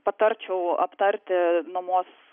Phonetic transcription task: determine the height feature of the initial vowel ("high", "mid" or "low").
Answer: low